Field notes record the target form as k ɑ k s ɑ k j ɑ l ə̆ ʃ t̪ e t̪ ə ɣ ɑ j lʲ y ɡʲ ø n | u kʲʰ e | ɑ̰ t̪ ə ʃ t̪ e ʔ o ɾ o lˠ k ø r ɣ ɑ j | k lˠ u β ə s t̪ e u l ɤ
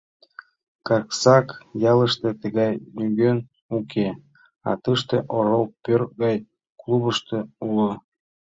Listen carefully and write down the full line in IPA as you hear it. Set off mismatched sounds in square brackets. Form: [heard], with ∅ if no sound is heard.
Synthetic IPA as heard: k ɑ k s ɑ k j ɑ l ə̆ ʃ t̪ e t̪ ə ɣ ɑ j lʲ y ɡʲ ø n | u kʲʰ e | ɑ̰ t̪ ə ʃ t̪ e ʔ o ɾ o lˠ [p] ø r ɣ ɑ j | k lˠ u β ə [ʃ] t̪ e u l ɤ

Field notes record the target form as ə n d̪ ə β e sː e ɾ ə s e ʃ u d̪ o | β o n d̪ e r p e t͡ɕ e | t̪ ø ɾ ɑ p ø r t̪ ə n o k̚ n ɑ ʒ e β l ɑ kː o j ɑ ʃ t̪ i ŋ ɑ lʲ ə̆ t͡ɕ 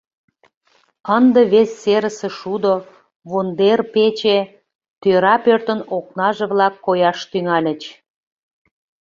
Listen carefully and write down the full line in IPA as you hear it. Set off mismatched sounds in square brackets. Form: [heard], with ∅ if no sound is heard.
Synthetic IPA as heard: ə n d̪ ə β e sː e ɾ ə s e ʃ u d̪ o | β o n d̪ e r p e t͡ɕ e | t̪ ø ɾ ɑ p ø r t̪ ə n o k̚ n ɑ ʒ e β l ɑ kː o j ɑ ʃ t̪ [y] ŋ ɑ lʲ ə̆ t͡ɕ

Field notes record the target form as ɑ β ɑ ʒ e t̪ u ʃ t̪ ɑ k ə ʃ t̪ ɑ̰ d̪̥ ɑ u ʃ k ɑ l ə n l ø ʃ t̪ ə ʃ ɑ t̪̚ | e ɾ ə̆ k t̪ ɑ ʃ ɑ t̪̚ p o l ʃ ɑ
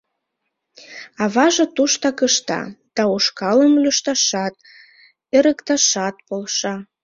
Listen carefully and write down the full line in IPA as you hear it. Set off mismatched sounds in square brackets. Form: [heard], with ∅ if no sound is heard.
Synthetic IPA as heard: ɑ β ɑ ʒ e t̪ u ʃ t̪ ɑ k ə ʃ t̪ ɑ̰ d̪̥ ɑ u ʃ k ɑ l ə [m] l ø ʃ t̪ [ɑ] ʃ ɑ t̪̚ | e ɾ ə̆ k t̪ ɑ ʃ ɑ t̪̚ p o l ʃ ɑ

